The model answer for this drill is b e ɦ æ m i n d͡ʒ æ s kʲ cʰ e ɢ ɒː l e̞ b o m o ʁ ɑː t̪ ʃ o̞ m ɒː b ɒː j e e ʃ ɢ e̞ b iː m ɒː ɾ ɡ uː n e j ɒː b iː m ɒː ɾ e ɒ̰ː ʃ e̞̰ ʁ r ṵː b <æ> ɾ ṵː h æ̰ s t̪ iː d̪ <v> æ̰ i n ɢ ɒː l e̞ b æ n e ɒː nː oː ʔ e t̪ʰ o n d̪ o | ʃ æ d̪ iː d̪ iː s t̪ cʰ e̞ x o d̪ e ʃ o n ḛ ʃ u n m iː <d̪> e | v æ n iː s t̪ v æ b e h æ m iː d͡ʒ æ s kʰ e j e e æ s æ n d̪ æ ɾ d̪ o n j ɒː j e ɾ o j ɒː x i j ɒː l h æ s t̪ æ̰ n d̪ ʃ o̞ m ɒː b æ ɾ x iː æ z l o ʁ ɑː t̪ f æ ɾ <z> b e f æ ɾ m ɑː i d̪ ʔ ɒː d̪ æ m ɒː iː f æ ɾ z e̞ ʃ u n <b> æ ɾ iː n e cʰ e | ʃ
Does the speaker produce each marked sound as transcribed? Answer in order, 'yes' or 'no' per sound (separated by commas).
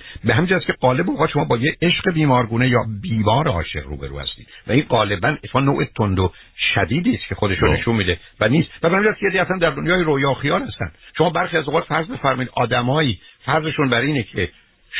no, yes, yes, yes, yes